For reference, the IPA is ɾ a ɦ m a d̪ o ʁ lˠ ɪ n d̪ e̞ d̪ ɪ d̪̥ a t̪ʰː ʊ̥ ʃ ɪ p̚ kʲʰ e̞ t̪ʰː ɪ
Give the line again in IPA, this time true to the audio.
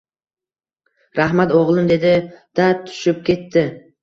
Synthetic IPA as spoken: ɾ a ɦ m a t̪ o ʁ lˠ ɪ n d̪ e̞ d̪ ɪ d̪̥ a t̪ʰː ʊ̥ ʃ ɪ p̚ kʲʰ e̞ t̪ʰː ɪ